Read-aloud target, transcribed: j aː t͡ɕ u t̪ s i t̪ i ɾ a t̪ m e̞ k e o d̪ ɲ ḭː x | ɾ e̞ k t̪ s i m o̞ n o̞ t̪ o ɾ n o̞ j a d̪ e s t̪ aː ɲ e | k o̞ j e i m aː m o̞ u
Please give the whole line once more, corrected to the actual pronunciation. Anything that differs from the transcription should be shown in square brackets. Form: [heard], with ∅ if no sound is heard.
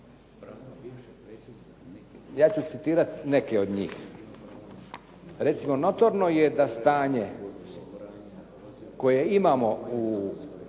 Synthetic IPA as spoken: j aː t͡ɕ u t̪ s i t̪ [iː] ɾ a t̪ [n] e̞ k e o d̪ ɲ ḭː x | ɾ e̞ [∅] t̪ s i m o̞ n o̞ t̪ o ɾ n o̞ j [e] d̪ [a] s t̪ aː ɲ e | k o̞ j e i m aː m o̞ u